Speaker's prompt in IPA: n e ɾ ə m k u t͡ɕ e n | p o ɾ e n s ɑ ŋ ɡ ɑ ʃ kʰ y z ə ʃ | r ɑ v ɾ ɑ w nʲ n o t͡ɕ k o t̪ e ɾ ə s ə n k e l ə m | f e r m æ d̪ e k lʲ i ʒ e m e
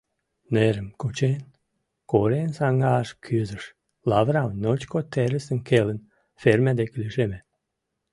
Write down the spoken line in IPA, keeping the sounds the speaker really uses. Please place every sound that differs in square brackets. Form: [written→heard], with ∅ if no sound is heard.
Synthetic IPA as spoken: n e ɾ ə m k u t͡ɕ e n | [p→k] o ɾ e n s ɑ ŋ ɡ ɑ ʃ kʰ y z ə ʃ | [r→l] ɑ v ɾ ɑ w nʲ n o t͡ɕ k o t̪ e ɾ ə s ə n k e l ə [m→n] | f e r m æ d̪ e k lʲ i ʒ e m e